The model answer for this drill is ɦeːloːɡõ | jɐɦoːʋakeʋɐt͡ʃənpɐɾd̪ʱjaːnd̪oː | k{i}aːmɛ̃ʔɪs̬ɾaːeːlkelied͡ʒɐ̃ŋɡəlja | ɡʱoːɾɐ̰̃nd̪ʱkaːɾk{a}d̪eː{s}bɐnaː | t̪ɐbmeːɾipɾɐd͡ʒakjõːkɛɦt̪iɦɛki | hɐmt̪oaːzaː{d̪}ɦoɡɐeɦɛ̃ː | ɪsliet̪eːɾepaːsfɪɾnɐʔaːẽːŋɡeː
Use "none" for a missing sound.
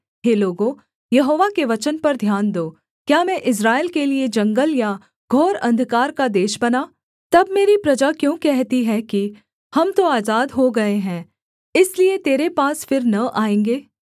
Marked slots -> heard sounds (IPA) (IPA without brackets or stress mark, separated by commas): j, a, ʃ, d̪